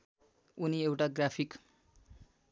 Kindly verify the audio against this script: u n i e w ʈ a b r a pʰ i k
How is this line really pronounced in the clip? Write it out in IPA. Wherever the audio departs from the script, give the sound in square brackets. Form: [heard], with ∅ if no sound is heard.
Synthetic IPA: u n i e w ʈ a [ɡ] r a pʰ i k